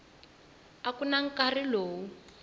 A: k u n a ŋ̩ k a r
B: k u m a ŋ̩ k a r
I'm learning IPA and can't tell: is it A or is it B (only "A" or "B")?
A